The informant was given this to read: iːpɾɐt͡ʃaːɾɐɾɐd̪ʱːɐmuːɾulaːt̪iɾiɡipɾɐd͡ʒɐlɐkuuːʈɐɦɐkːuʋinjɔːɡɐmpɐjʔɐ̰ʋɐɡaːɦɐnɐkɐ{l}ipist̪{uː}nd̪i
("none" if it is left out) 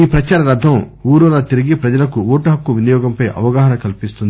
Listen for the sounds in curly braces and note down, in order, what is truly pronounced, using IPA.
l, u

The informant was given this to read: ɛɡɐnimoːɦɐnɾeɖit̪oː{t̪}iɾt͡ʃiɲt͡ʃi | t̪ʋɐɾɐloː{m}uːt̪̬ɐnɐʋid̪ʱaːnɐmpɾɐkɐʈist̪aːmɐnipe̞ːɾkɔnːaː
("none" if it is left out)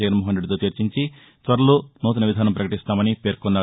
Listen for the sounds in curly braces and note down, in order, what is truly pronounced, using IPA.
t̪, n

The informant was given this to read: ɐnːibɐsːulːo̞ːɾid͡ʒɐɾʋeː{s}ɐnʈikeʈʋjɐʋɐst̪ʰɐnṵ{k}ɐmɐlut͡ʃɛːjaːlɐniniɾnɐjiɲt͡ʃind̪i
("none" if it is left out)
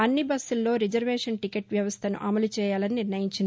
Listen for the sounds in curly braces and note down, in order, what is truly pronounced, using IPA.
ʂ, ʔ

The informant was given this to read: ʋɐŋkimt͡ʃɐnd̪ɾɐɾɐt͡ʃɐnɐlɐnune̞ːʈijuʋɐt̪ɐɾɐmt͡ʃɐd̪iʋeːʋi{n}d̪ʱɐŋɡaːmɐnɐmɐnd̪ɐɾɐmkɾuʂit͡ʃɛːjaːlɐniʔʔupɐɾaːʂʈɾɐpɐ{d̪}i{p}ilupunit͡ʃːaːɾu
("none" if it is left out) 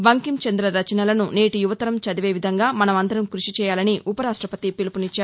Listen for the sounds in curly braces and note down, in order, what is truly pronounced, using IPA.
none, t̪, p

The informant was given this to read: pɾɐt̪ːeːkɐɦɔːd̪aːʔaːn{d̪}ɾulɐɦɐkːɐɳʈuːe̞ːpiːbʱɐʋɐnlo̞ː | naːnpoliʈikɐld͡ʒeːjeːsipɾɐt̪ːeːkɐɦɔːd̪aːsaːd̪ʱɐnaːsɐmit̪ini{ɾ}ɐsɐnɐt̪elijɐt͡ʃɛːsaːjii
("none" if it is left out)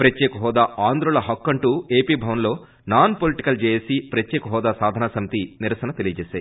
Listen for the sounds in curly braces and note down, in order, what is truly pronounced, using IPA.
d̪, ɾ

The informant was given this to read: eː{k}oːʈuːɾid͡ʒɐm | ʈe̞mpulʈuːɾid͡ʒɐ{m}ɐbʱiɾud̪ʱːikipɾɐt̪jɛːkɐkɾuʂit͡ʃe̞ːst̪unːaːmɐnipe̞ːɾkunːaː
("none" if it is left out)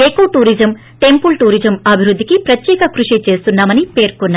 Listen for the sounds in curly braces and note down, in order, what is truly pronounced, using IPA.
k, m

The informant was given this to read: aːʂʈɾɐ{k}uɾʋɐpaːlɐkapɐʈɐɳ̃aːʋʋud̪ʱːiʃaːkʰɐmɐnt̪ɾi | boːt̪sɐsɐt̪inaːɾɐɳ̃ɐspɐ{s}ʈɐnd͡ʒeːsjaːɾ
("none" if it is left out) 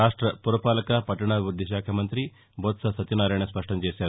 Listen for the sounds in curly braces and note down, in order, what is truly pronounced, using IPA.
p, ʂ

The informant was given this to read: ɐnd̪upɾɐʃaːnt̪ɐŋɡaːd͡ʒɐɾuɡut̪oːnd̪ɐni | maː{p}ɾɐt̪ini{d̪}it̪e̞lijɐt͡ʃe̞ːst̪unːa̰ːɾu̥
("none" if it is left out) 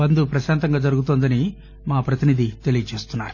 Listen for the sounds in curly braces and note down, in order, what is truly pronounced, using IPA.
p, d̪

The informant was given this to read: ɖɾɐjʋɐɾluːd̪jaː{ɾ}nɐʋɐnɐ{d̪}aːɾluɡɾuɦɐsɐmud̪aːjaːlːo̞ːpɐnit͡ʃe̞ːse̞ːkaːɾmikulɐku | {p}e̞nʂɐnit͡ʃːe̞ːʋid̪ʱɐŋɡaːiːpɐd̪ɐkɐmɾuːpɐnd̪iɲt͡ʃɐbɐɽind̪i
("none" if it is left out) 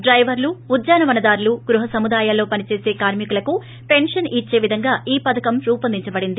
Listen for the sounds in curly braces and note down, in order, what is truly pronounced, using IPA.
none, d̪, p

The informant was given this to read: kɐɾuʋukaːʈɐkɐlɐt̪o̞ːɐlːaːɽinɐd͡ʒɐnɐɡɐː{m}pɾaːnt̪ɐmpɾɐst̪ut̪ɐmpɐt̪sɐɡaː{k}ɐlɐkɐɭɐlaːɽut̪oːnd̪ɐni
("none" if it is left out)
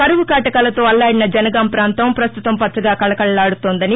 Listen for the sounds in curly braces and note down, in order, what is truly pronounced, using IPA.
m, k

